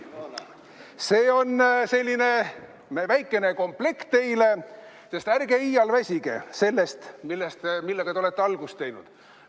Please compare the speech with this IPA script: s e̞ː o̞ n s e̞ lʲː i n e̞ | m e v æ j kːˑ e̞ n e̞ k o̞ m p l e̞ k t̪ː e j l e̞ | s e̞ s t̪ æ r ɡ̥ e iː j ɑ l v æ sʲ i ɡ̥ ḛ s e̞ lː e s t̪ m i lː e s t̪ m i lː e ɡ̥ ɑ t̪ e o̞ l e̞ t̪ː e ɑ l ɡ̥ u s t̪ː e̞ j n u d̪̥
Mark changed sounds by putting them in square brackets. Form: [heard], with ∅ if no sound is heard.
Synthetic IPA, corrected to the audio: s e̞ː o̞ n s e̞ lʲː i n e̞ | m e v æ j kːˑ e̞ n e̞ k o̞ m p l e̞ k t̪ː e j l e̞ | s e̞ s t̪ æ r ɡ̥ e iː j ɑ l v æ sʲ i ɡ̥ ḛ s e̞ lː e s t̪ m i lː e s t̪ m i lː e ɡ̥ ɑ t̪ e o̞ l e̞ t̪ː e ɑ l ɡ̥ u s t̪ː e̞ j n u d̪̥